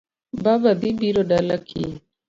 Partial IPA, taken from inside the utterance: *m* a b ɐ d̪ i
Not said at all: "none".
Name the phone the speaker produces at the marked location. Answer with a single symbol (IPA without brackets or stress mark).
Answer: b